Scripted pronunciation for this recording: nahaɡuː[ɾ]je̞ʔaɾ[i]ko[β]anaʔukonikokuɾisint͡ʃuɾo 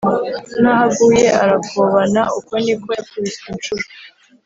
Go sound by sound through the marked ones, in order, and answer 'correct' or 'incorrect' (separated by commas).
incorrect, incorrect, correct